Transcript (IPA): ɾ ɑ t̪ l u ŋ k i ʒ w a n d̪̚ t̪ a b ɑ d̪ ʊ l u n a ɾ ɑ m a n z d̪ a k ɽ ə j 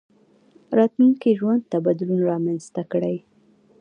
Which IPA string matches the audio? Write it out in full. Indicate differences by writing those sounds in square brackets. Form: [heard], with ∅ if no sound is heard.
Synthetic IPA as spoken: ɾ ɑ t̪ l u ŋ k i ʒ w a n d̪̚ t̪ a b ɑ d̪ ʊ l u n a ɾ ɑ m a n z [t̪] a k ɽ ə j